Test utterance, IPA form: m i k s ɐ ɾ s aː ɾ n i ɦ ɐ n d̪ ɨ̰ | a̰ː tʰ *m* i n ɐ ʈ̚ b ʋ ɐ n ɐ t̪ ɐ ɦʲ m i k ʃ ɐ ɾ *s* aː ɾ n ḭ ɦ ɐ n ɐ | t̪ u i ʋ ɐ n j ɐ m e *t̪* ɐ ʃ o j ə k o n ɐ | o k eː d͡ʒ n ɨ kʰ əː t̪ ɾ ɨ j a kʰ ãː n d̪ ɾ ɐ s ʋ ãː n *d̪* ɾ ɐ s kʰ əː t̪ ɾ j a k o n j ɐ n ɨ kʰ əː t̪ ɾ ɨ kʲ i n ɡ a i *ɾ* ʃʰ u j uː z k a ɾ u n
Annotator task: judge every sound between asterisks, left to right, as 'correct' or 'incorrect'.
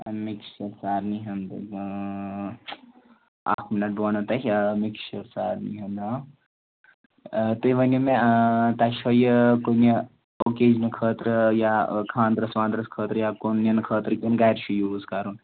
correct, correct, correct, correct, correct

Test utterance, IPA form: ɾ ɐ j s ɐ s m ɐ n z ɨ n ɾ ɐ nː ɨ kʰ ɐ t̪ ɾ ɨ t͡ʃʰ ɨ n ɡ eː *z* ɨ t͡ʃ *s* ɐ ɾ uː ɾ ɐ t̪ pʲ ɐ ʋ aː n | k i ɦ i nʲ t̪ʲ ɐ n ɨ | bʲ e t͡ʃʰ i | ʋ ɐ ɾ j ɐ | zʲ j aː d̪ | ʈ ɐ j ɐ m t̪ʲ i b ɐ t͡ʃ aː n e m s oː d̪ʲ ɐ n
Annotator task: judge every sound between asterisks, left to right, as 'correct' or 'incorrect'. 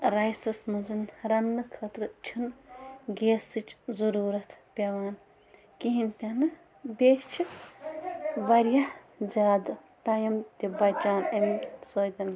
incorrect, incorrect

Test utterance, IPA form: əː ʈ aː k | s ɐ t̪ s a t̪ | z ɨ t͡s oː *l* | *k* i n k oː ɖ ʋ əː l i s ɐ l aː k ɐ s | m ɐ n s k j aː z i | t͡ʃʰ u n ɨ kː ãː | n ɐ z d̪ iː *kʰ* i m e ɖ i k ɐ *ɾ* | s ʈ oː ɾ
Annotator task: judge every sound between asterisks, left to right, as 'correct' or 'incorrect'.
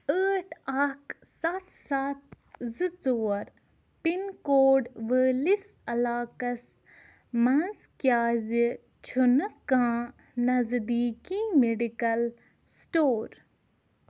incorrect, incorrect, incorrect, incorrect

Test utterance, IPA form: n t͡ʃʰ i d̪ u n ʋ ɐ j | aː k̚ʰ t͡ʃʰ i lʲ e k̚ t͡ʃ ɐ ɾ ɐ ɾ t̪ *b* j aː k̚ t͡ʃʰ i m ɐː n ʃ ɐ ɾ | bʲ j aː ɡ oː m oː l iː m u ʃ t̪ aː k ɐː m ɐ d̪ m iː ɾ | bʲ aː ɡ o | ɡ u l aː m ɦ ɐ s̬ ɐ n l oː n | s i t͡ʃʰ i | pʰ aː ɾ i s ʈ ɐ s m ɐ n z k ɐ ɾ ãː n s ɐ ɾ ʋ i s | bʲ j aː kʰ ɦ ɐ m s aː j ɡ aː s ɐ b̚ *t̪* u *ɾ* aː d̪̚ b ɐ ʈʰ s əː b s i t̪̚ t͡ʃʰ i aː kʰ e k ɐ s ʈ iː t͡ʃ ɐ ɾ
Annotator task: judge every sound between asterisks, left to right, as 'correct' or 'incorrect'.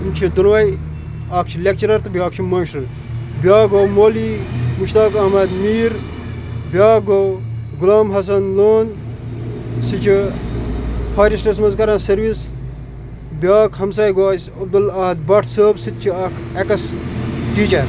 correct, incorrect, incorrect

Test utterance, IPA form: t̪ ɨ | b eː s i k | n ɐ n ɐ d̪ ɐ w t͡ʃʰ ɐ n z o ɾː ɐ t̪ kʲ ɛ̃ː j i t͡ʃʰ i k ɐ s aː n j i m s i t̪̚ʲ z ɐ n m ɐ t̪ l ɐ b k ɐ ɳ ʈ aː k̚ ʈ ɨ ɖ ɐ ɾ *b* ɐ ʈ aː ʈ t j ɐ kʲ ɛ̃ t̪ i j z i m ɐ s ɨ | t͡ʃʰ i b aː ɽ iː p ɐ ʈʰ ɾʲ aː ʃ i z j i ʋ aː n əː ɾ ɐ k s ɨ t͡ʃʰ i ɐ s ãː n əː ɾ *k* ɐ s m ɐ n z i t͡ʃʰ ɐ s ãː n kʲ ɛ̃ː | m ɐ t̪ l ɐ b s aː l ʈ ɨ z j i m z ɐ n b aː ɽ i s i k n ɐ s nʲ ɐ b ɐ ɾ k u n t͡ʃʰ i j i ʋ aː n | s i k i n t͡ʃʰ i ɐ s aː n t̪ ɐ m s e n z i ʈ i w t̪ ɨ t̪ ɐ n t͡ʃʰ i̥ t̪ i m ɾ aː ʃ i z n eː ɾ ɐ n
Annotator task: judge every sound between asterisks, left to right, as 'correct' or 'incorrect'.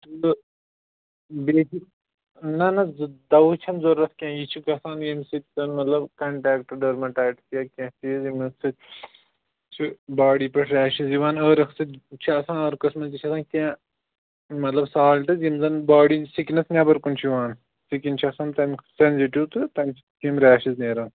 incorrect, correct

